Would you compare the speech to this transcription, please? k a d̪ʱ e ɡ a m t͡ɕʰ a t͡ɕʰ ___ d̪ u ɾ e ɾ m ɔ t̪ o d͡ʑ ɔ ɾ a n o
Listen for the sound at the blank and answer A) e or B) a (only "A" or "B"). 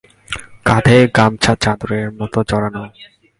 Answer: B